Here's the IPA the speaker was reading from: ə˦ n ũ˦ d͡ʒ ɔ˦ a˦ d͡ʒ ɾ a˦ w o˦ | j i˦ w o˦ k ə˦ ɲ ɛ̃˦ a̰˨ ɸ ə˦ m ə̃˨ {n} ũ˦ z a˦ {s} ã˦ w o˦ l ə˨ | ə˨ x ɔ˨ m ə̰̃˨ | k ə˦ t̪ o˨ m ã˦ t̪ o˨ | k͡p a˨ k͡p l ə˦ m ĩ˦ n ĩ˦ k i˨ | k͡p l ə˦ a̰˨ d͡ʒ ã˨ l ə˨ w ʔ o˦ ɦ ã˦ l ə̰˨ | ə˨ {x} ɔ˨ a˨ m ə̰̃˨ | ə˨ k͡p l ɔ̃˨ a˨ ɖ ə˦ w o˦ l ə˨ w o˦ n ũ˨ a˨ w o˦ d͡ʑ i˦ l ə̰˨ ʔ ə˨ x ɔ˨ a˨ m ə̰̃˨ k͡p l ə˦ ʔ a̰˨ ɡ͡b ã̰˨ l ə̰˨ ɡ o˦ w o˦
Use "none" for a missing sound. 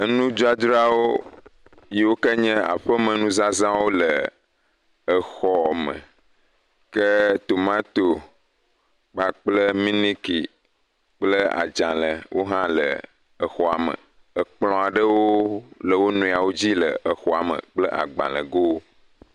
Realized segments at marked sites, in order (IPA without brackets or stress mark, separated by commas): n, z, x